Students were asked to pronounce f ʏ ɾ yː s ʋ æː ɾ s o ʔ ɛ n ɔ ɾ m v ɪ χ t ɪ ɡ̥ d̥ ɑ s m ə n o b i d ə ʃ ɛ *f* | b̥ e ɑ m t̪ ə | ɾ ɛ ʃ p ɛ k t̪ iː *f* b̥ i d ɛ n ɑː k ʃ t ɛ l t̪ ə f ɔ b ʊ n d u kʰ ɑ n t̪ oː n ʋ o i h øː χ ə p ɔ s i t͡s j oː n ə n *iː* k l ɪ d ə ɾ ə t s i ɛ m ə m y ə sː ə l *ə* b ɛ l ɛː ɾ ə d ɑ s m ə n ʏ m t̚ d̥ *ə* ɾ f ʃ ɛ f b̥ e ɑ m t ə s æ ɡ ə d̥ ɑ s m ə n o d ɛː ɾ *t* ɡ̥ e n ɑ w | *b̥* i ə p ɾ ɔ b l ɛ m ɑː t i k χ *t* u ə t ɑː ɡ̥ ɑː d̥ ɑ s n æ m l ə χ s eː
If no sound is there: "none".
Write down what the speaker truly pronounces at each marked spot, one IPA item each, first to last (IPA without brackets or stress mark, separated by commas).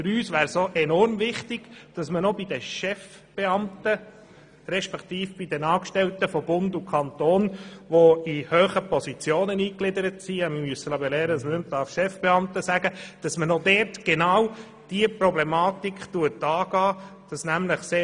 f, f, iː, ɑ, ɑ, t, d̥, t